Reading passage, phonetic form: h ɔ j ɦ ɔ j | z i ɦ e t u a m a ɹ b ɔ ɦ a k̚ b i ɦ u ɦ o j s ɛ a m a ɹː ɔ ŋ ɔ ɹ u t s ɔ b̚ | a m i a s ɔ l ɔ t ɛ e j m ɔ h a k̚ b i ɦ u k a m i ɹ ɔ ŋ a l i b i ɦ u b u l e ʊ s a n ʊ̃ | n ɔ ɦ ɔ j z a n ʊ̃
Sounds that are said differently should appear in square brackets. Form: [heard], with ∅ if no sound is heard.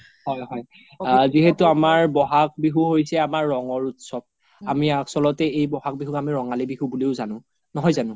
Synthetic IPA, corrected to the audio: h ɔ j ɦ ɔ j | z i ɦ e t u a m a ɹ b ɔ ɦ a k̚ b i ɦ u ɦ o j s ɛ a m a ɹː ɔ ŋ ɔ ɹ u t s ɔ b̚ | a m i a s ɔ l ɔ t ɛ e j [b] ɔ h a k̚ b i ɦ u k a m i ɹ ɔ ŋ a l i b i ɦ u b u l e ʊ [z] a n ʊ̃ | n ɔ ɦ ɔ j z a n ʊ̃